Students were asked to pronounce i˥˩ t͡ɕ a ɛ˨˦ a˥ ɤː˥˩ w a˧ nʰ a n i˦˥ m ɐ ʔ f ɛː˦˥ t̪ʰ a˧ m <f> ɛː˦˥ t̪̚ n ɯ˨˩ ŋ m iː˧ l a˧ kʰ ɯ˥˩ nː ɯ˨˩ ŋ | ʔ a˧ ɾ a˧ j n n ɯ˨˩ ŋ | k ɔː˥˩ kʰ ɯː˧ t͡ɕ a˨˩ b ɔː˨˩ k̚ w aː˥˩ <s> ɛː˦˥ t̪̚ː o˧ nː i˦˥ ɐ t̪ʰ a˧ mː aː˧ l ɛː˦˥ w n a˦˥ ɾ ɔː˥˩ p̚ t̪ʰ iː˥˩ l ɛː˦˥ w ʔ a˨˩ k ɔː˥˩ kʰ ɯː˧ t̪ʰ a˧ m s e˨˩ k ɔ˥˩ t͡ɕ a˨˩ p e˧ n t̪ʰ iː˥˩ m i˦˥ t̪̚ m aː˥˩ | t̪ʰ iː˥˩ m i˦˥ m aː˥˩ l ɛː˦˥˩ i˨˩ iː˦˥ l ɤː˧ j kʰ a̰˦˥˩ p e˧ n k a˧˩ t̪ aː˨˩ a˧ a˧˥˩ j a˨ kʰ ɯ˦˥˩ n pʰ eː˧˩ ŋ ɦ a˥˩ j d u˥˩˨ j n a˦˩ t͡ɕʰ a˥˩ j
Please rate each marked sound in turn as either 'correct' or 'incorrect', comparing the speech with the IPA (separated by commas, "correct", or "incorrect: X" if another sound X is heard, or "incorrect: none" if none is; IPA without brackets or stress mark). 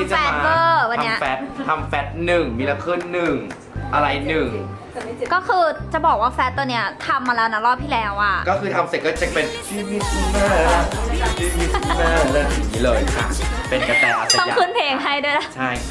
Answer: correct, incorrect: f